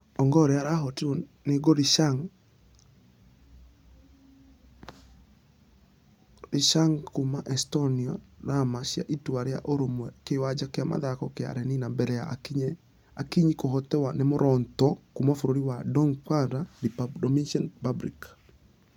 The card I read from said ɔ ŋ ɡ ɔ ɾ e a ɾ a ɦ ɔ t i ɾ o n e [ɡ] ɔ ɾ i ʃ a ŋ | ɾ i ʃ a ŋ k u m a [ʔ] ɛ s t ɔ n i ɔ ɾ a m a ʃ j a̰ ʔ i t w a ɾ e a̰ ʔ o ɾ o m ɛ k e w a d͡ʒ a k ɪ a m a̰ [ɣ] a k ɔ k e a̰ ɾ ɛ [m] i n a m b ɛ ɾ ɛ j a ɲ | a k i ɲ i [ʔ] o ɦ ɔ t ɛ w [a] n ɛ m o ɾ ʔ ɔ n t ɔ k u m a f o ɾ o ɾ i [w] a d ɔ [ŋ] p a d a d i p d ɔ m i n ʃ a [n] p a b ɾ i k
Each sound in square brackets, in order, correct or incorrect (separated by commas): correct, correct, incorrect, incorrect, incorrect, correct, correct, correct, correct